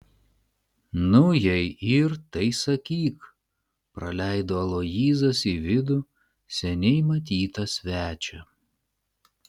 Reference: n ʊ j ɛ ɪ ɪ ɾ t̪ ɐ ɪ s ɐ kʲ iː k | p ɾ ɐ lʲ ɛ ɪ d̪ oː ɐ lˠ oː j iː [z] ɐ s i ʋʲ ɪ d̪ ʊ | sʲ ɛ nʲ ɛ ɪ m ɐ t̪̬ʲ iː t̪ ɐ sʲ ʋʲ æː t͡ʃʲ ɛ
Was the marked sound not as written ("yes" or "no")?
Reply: no